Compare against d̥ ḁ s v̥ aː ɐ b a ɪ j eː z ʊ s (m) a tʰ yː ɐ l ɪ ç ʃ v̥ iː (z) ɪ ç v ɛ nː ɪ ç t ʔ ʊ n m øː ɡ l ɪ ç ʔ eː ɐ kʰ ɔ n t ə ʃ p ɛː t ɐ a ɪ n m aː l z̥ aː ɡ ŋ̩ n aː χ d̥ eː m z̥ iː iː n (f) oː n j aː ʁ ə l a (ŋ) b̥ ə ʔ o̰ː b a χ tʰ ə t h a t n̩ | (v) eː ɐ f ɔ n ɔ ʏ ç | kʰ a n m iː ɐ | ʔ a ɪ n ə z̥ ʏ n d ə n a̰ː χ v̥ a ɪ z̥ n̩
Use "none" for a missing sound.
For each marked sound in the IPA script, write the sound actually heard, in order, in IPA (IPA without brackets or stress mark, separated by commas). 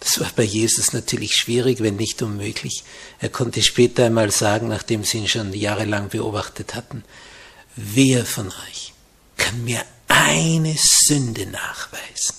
n, ʁ, ʃ, ŋ, v